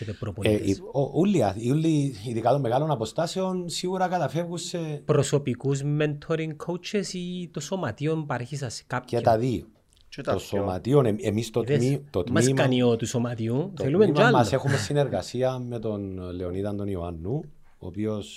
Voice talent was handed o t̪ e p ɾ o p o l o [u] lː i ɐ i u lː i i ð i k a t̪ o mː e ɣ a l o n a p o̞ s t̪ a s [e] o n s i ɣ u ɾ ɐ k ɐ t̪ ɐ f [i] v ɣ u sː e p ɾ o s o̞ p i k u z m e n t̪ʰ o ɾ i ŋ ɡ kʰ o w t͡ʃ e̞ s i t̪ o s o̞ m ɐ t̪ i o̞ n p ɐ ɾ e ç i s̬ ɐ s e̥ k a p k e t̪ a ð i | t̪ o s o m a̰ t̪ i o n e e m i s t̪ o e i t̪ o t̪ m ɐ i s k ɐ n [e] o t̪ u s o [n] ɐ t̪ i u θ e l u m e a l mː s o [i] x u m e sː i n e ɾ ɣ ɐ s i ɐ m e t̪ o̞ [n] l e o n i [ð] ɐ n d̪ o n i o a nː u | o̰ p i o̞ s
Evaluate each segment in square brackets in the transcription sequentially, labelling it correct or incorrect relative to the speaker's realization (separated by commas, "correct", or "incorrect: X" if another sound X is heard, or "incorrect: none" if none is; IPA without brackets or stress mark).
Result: correct, correct, incorrect: e, incorrect: i, incorrect: m, incorrect: e, correct, correct